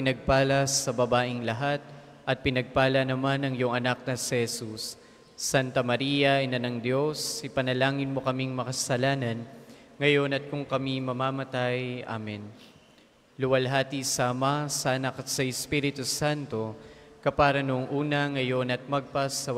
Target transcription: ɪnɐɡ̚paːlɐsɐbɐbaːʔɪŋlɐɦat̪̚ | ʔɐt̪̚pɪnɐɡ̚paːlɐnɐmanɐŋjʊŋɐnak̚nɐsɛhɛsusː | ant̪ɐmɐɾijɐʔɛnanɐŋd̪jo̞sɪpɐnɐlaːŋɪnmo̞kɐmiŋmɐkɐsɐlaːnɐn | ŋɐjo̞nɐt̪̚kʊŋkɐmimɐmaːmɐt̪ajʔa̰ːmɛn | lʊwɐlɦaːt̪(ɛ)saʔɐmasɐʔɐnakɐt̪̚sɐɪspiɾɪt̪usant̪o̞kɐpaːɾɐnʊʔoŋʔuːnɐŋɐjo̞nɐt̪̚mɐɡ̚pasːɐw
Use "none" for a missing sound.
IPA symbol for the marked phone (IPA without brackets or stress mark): i